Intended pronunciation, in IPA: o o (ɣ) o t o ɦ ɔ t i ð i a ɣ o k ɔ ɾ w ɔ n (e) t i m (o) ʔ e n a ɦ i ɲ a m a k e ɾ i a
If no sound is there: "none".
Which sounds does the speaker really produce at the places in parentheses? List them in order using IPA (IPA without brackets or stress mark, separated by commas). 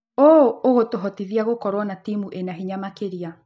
ɣ, a, u